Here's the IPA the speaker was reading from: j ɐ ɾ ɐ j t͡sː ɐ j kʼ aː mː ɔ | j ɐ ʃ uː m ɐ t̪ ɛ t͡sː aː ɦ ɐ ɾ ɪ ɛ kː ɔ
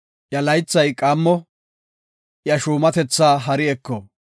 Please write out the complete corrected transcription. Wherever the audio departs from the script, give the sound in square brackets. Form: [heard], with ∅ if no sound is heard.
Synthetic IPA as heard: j ɐ [l] ɐ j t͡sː ɐ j kʼ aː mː ɔ | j ɐ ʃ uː m ɐ t̪ ɛ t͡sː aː ɦ ɐ ɾ ɪ ɛ kː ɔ